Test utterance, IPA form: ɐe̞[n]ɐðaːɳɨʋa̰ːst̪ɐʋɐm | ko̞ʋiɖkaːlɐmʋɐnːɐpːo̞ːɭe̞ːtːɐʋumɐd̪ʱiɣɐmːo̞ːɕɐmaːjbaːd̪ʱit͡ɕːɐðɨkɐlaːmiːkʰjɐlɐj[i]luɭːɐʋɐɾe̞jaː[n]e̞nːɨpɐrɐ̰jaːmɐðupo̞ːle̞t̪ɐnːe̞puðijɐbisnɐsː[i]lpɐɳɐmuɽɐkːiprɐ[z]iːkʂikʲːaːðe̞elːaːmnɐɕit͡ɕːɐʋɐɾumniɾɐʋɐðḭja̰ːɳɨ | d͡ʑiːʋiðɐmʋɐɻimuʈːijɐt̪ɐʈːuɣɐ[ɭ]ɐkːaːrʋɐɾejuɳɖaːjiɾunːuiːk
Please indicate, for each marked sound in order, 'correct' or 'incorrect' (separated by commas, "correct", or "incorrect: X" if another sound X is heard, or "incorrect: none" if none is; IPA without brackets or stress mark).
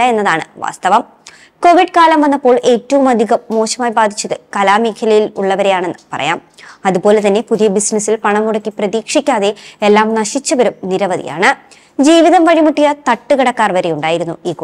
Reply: incorrect: nː, correct, incorrect: ɳ, correct, incorrect: ð, incorrect: ɽ